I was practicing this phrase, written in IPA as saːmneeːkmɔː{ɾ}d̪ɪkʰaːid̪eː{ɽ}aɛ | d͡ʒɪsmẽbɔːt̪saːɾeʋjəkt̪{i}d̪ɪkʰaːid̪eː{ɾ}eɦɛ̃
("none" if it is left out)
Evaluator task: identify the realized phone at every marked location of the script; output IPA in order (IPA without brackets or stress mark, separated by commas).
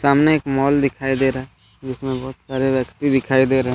l, ɾ, i, ɾ